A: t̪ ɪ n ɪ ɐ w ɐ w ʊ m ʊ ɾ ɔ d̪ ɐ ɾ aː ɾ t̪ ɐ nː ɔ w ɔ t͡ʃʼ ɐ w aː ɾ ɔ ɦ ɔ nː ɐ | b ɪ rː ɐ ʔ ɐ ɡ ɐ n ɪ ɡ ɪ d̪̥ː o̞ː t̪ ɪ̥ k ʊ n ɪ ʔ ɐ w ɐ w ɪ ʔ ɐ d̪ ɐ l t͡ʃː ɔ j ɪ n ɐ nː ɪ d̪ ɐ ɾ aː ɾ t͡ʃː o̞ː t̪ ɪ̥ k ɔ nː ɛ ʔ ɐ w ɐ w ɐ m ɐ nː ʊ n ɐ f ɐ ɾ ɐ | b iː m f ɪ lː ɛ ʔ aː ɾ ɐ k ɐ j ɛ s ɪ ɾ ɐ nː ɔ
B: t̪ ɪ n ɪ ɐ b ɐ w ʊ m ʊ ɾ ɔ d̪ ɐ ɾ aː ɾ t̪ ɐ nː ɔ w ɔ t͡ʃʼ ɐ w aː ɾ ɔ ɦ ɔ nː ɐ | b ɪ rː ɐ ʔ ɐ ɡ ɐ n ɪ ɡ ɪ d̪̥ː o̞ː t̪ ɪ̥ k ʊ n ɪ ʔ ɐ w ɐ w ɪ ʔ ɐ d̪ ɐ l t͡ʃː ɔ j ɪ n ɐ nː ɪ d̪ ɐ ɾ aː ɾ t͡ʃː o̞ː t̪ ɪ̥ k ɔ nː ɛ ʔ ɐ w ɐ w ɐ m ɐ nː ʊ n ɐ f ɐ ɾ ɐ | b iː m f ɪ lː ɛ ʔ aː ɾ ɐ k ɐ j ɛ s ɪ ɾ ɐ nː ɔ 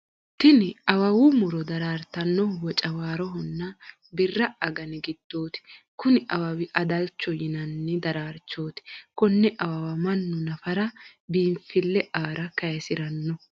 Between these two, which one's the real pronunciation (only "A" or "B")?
A